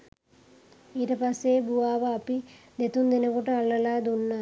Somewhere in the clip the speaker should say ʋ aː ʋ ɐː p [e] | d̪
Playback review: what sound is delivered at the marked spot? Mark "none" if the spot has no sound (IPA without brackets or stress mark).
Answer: i